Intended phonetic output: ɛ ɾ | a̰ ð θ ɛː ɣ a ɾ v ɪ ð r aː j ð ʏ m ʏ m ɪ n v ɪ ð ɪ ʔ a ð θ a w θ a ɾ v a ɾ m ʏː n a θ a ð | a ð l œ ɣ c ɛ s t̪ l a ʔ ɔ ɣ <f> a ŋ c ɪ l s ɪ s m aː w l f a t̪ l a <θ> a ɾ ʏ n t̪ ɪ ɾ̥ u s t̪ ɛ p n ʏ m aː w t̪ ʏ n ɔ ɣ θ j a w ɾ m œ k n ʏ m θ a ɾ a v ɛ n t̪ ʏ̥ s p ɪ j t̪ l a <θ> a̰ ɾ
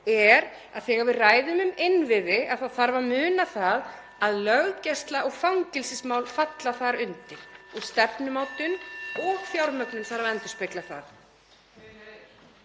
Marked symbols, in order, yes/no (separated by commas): yes, yes, yes